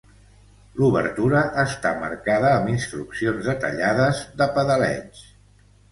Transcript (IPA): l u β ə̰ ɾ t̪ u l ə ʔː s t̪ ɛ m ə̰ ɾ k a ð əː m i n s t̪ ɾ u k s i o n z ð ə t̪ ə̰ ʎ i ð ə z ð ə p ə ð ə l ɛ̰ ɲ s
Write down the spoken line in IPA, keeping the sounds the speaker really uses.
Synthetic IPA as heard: l u β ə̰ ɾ t̪ u ɾ ə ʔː s t̪ a m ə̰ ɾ k a ð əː m i n s t̪ ɾ u k s i o n z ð ə t̪ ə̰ ʎ a ð ə z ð ə p ə ð ə l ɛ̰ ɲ s

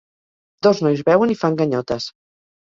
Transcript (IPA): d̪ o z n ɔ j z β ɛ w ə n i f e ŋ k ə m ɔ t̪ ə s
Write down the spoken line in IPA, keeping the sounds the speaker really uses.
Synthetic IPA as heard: d̪ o z n ɔ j z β ɛ w ə n i f a ŋ ɡ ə ɲ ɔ t̪ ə s

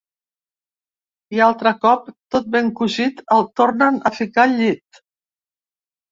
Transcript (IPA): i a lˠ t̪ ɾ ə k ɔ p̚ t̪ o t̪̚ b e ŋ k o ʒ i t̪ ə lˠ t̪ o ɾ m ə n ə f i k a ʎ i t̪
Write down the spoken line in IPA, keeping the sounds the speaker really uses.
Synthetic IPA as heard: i a lˠ t̪ ɾ ə k ɔ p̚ t̪ o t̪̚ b e ŋ k u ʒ i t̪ ə lˠ t̪ o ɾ n ə n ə f i k a ʎ i t̪

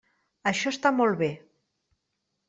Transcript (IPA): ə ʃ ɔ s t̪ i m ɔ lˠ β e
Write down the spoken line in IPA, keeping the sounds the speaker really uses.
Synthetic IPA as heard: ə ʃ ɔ s t̪ a m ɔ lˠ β e

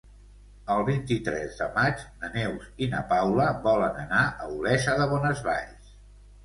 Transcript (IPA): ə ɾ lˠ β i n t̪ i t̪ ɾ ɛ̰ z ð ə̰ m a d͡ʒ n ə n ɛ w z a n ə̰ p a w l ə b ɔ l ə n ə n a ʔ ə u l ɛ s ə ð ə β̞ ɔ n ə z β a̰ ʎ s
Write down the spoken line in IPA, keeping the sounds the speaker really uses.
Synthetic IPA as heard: ə lˠ β i n t̪ i t̪ ɾ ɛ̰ z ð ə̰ m a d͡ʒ n ə n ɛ w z i n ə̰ p a w l ə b ɔ l ə n ə n a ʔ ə u l ɛ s ə ð ə β̞ ɔ n ə z β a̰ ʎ s

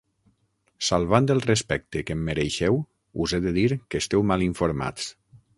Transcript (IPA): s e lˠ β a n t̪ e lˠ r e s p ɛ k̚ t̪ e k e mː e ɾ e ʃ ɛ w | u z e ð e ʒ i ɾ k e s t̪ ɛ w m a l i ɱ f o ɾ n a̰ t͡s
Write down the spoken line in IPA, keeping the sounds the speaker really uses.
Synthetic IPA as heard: s a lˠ β a n d̪ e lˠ r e s p ɛ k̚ t̪ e k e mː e ɾ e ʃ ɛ w | u z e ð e ð i ɾ k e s t̪ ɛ w m a l i ɱ f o ɾ m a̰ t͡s

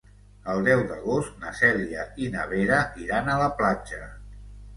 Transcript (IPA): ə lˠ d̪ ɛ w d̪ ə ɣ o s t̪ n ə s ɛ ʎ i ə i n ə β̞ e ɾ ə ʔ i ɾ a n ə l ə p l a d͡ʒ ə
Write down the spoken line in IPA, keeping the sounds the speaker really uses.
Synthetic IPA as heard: ə lˠ d̪ ɛ w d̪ ə ɣ o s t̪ n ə s ɛ l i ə i n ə β̞ e ɾ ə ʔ i ɾ a n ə l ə p l a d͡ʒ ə

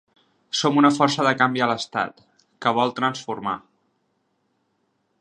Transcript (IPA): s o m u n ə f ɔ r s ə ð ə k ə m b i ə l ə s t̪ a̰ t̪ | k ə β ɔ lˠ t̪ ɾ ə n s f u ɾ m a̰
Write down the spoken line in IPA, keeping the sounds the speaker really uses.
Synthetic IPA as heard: s o m u n ə f ɔ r s ə ð ə k a m b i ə l ə s t̪ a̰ t̪ | k ə β ɔ lˠ t̪ ɾ ə n s f u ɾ m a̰

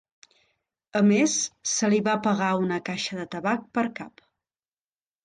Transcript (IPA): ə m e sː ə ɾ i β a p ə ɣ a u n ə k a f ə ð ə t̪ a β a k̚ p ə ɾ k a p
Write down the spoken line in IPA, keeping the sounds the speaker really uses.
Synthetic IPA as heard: ə m e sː ə l i β a p ə ɣ a u n ə k a ʃ ə ð ə t̪ ə β a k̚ p ə ɾ k a p

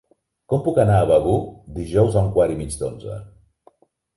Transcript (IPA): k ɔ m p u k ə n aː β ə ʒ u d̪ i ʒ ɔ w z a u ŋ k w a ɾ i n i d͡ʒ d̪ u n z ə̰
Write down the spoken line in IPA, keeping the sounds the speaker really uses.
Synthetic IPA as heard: k ɔ m p u k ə n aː β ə ɣ u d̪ i ʒ ɔ w z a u ŋ k w a ɾ i m i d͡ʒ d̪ o n z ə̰

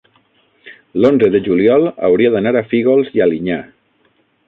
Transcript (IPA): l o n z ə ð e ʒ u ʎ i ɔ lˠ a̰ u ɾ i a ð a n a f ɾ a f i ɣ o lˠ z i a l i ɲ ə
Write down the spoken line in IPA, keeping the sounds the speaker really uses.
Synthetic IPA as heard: l o n z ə ð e ʒ u l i ɔ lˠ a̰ w ɾ i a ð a n a ɾ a f i ɣ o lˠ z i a l i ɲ a

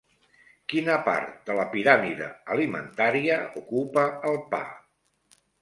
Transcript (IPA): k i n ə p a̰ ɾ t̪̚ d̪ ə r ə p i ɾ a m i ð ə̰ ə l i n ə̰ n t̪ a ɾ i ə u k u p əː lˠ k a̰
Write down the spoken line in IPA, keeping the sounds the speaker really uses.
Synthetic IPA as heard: k i n ə p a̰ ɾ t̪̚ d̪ ə l ə p i ɾ a m i ð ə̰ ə l i m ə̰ n t̪ a ɾ i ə u k u p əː lˠ p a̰

